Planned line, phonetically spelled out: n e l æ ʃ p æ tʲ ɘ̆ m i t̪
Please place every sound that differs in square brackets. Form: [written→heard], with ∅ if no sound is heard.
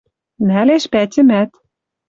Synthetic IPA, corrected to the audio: n [e→æ] l [æ→e] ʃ p æ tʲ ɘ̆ m [i→æ] t̪